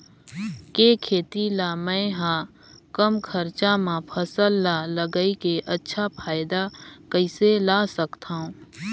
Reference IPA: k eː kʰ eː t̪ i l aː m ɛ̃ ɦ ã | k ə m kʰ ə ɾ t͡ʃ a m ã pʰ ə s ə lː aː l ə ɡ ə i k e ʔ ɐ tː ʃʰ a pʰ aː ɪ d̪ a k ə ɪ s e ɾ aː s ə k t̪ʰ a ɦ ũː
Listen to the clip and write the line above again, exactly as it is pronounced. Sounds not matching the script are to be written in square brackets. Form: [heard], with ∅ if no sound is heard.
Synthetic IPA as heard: k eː kʰ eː t̪ i l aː m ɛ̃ ɦ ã | k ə m kʰ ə ɾ t͡ʃ a m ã pʰ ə s ə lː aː l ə ɡ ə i k e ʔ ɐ tː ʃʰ a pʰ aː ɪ d̪ a k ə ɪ s e [l] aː s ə k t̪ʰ a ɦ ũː